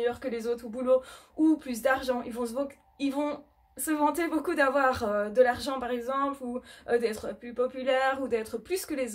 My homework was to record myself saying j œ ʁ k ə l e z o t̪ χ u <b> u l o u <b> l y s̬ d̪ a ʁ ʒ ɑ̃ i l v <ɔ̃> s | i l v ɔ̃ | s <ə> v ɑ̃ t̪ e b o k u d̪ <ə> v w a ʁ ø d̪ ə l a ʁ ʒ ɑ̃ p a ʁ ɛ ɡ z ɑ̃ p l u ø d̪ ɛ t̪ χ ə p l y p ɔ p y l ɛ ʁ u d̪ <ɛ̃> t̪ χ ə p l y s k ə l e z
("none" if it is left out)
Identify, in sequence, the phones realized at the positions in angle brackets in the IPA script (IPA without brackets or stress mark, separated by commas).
b, p, ɔ̃, ə, a, ɛ